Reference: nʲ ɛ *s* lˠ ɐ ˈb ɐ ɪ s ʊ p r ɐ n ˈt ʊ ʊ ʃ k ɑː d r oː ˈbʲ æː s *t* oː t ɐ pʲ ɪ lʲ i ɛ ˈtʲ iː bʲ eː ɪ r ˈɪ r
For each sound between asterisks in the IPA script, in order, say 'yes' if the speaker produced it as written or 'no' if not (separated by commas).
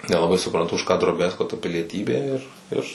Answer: no, no